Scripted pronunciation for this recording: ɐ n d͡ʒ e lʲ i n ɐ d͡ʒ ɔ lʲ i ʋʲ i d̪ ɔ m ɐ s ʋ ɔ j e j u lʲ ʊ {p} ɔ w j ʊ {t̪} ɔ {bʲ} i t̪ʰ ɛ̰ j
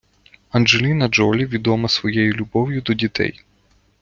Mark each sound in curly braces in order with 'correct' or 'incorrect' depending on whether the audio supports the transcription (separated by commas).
incorrect, incorrect, incorrect